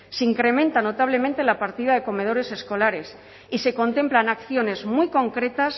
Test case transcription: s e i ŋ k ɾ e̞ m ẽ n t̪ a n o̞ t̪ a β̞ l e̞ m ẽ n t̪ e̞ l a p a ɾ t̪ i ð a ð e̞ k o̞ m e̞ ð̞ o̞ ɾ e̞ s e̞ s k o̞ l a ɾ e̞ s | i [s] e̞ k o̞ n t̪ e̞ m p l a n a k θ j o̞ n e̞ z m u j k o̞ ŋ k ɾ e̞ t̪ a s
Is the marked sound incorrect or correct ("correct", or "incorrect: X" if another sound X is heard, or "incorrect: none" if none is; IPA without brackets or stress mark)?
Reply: correct